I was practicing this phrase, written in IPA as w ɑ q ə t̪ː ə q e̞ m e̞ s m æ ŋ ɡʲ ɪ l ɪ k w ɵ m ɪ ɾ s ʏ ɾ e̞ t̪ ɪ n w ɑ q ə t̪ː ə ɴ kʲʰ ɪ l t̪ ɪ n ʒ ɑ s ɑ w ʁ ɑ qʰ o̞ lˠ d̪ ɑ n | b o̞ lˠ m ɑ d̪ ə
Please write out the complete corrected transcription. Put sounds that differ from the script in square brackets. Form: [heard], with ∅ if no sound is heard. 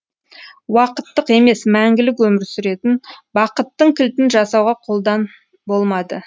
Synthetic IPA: w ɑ q ə t̪ː ə q e̞ m e̞ s m æ ŋ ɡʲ ɪ l ɪ k w ɵ m ɪ ɾ s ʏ ɾ e̞ t̪ ɪ n [b] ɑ q ə t̪ː ə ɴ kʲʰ ɪ l t̪ ɪ n ʒ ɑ s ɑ w ʁ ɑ qʰ o̞ lˠ d̪ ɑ n | b o̞ lˠ m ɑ d̪ ə